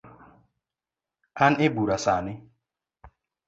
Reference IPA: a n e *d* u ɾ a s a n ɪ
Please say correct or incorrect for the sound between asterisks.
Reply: incorrect: b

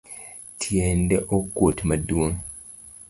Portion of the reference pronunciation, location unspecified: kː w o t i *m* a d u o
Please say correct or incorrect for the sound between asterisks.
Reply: correct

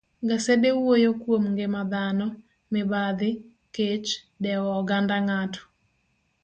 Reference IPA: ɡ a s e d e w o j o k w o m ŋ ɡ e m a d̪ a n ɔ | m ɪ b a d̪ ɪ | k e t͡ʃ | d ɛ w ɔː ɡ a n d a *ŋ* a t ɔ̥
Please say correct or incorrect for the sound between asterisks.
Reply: correct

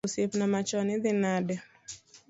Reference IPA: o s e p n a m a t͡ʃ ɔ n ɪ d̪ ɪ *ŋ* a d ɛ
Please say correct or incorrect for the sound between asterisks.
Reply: incorrect: n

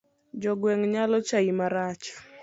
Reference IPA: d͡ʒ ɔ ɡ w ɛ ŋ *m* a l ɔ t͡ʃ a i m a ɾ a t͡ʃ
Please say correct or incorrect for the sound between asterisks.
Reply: incorrect: ɲ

